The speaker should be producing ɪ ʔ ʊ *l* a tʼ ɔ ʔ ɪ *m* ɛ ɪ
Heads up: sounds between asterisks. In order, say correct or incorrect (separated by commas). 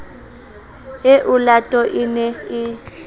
correct, incorrect